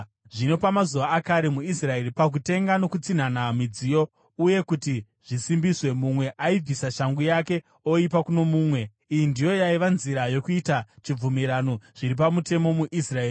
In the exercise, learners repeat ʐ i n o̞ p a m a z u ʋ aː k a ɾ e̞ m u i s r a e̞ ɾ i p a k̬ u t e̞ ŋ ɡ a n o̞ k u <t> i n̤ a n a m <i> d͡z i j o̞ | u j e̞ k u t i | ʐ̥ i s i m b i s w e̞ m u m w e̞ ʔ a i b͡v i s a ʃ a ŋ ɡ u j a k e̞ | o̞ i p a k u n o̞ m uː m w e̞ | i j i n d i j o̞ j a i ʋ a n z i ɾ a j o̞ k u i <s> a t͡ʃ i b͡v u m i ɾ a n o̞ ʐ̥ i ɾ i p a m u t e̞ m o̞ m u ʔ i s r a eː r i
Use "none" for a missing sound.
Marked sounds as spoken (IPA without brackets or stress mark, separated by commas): t͡s, i, t